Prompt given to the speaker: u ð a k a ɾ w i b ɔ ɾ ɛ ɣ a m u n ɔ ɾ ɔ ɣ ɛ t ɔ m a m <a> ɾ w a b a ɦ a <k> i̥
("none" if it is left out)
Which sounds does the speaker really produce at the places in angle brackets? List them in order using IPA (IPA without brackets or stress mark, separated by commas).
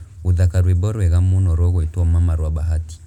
a, t